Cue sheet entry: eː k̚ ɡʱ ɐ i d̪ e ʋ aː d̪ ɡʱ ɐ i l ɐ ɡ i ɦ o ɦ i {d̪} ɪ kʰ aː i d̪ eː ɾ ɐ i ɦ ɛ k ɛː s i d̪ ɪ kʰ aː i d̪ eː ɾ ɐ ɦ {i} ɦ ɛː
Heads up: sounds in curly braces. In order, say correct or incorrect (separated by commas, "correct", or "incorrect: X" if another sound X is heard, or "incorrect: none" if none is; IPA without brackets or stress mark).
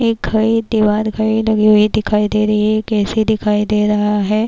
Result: correct, incorrect: a